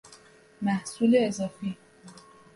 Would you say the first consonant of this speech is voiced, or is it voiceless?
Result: voiced